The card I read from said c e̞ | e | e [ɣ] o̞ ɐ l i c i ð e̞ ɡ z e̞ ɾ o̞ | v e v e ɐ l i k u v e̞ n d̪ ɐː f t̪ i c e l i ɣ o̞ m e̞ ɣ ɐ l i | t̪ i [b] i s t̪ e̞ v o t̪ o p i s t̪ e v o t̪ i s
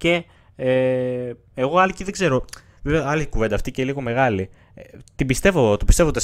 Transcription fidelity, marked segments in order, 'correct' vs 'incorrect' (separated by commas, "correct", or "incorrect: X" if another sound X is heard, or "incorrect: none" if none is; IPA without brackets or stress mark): correct, correct